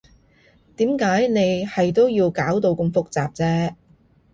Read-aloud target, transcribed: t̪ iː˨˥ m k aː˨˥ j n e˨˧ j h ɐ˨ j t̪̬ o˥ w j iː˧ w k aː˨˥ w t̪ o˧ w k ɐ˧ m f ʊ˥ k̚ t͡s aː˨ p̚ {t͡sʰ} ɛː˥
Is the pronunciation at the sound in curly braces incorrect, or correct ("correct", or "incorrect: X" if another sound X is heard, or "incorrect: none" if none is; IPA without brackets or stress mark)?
incorrect: t͡s